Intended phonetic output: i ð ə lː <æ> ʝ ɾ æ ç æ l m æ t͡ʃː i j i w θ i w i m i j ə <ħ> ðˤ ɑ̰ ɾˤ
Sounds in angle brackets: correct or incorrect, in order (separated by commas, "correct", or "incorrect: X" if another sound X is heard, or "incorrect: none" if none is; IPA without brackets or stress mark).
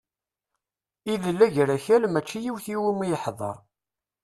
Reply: correct, correct